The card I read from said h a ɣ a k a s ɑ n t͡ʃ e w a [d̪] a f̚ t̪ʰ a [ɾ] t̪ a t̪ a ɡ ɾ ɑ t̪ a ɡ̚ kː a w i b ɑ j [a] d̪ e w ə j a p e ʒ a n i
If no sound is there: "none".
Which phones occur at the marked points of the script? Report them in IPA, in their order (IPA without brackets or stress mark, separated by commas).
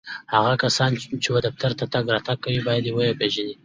d̪, ɾ, a